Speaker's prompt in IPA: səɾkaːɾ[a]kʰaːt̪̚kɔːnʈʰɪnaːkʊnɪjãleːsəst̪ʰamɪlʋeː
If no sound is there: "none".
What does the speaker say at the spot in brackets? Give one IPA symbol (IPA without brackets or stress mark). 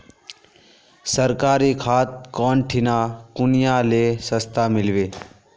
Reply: i